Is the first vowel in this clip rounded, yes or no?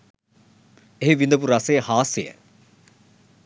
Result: no